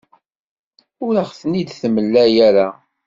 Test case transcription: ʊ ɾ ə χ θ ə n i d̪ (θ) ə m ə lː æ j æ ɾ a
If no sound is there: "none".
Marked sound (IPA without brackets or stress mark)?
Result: θ